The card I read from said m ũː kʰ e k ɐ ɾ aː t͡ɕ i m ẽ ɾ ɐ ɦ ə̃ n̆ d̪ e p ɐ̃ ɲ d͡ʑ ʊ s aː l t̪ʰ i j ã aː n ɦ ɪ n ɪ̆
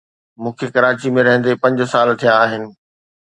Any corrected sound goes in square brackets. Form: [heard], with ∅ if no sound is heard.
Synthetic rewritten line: m ũː kʰ e k ɐ ɾ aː t͡ɕ i m ẽ ɾ ɐ ɦ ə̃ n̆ d̪ e p ɐ̃ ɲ d͡ʑ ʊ s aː l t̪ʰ i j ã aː [∅] ɦ ɪ n ɪ̆